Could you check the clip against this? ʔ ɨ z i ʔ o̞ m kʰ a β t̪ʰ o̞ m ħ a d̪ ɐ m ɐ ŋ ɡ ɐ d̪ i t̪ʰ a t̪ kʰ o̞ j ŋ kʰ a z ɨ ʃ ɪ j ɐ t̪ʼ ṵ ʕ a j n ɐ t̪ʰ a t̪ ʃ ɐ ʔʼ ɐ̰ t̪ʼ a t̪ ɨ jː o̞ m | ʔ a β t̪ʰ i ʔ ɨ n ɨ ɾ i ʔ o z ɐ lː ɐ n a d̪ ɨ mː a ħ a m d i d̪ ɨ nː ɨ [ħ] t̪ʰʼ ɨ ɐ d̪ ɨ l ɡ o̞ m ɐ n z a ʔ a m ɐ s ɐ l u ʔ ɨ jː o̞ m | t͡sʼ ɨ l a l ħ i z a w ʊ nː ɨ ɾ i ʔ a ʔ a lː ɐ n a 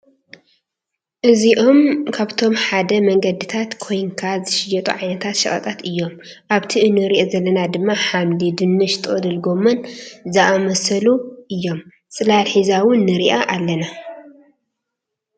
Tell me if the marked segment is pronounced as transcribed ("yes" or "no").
no